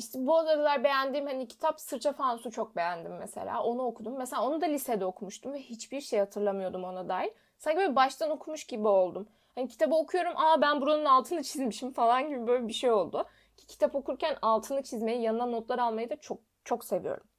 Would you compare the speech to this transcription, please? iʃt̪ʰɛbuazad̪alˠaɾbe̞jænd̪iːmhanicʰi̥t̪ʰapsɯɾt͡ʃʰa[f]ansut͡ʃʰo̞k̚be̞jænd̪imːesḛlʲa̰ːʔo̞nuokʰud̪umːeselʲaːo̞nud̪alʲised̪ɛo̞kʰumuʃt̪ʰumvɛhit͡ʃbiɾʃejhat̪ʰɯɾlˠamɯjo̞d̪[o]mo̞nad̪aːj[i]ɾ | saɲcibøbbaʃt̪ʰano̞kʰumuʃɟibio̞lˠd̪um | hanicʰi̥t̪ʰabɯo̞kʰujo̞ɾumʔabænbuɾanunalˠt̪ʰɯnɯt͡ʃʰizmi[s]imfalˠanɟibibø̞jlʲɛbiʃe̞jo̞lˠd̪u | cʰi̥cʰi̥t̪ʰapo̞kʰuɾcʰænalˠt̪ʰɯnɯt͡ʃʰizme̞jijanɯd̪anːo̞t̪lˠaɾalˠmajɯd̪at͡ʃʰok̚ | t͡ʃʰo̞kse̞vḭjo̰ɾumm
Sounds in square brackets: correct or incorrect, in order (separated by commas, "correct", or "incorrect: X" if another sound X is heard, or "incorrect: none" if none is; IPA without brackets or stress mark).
correct, incorrect: u, correct, incorrect: ʃ